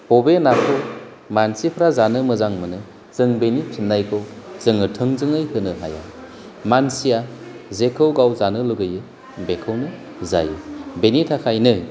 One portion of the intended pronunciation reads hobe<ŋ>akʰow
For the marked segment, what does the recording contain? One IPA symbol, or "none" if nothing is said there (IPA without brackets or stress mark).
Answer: n